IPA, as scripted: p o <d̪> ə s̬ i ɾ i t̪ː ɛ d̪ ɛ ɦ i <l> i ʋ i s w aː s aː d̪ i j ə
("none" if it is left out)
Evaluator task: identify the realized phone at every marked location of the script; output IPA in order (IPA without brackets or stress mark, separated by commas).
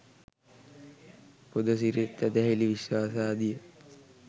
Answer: d̪, l